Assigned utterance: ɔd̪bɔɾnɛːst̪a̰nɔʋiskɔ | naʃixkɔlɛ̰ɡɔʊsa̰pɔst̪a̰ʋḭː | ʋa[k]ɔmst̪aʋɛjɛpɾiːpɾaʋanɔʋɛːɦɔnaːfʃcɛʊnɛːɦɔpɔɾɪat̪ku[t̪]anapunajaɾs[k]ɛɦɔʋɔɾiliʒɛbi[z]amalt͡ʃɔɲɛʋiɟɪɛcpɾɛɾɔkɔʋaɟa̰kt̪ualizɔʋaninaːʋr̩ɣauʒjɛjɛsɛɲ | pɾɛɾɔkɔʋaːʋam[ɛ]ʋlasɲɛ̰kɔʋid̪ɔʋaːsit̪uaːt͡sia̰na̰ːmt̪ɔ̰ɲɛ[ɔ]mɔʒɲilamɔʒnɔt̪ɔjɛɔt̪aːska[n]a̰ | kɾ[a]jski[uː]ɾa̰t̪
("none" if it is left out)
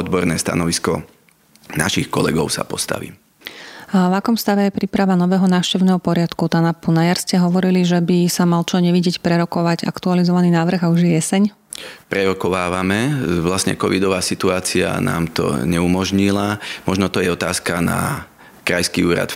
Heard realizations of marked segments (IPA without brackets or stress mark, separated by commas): k, t̪, c, s, ɛ, u, n, a, uː